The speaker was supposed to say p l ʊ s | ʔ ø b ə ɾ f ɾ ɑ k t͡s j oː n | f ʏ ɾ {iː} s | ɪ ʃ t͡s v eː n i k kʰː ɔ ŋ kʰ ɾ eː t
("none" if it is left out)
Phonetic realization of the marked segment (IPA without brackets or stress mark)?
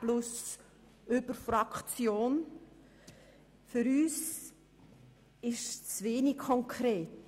yː